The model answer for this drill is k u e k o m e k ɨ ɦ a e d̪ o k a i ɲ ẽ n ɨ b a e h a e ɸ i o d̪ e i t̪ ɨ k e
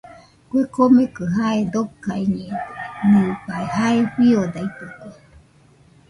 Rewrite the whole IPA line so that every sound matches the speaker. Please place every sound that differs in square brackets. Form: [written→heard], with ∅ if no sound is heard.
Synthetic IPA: k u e k o m e k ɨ ɦ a e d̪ o k a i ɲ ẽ n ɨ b a e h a e ɸ i o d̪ [e→a] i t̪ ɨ k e